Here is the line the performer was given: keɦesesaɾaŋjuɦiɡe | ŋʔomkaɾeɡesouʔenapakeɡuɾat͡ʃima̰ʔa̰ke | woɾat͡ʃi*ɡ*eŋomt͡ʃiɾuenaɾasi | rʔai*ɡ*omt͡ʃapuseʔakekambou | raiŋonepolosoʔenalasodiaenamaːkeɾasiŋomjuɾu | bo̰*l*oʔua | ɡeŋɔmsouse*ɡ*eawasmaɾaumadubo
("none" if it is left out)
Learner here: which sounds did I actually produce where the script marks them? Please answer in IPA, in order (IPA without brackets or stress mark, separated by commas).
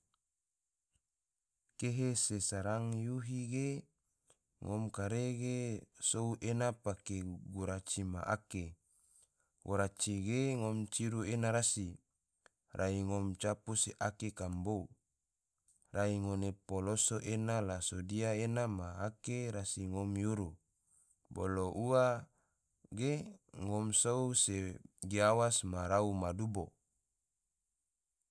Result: ɡ, ŋ, l, ɡ